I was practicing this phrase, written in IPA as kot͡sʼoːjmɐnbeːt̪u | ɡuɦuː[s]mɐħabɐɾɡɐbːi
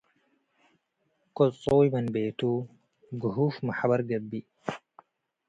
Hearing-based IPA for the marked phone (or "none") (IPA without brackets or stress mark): f